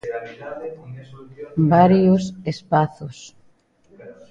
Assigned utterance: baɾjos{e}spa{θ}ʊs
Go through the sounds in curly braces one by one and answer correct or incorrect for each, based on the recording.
correct, correct

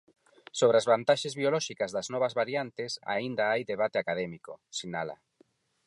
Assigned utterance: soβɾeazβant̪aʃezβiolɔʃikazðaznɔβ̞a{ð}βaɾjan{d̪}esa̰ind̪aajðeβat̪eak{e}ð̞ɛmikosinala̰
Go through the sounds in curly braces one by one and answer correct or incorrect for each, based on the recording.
incorrect: z, incorrect: t̪, incorrect: a

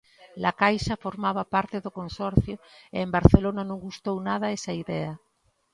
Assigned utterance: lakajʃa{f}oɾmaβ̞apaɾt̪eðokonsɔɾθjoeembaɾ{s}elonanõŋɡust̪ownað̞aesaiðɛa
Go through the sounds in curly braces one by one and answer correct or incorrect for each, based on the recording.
correct, incorrect: θ

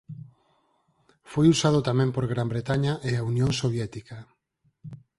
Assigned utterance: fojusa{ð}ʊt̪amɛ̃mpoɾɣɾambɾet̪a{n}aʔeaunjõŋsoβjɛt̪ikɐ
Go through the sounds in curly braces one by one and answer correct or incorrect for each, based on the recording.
correct, incorrect: ɲ

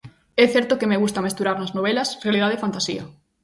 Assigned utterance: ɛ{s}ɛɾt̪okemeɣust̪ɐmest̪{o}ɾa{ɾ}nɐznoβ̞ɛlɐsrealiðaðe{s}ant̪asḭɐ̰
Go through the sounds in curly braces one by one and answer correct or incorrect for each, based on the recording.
incorrect: θ, incorrect: u, correct, incorrect: f

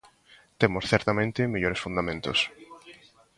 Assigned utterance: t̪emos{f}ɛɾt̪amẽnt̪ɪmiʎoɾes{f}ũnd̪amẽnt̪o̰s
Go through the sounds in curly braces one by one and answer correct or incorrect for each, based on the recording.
incorrect: θ, correct

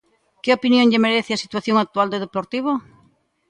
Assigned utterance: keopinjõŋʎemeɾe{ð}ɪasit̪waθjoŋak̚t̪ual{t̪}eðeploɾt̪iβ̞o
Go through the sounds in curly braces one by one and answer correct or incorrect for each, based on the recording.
incorrect: θ, incorrect: d̪

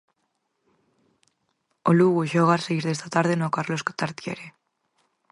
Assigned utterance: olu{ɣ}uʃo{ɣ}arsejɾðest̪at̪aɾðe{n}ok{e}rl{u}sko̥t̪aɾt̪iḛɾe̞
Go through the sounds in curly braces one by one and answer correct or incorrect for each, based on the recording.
correct, correct, correct, incorrect: a, incorrect: o

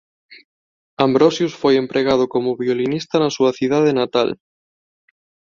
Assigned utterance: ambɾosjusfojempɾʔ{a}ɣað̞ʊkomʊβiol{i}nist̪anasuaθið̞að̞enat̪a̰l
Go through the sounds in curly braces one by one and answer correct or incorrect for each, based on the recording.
incorrect: e, correct

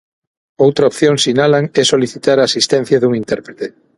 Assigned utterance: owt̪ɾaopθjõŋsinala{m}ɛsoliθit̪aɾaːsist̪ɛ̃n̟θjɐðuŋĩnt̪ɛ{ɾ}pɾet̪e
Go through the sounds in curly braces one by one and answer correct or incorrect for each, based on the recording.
incorrect: ŋ, correct

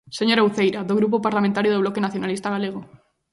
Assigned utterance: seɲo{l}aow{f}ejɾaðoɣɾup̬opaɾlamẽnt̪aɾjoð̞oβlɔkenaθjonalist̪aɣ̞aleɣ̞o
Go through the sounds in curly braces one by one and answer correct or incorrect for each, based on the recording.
incorrect: ɾ, incorrect: θ

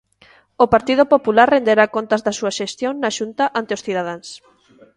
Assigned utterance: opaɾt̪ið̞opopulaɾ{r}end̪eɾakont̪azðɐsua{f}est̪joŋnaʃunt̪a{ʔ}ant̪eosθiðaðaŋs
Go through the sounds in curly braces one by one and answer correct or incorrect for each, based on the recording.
correct, incorrect: ʃ, correct

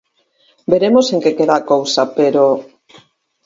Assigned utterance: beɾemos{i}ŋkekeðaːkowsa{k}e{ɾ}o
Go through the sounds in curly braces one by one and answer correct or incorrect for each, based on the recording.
incorrect: e, incorrect: p, correct

